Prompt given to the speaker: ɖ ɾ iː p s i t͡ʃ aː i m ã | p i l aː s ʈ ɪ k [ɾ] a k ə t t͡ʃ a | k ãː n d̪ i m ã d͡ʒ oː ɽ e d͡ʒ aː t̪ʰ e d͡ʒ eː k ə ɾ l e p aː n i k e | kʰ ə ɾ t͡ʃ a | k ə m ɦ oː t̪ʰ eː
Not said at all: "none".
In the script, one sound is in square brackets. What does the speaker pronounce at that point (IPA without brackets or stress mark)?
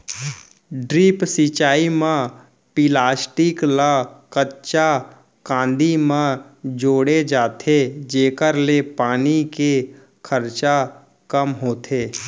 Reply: l